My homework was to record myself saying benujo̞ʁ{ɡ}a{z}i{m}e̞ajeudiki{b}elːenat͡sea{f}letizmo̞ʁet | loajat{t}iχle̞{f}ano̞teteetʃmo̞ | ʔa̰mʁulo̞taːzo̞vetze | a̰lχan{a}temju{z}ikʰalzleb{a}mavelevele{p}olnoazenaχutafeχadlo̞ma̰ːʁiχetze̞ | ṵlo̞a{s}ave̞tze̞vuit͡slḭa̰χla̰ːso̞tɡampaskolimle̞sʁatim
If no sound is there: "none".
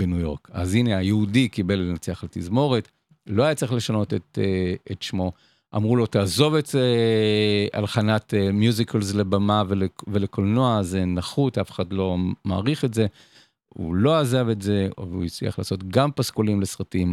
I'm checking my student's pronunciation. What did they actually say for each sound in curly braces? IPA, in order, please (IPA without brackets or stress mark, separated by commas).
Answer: k, z, n, b, χ, t͡s, ʃ, a, z, a, k, z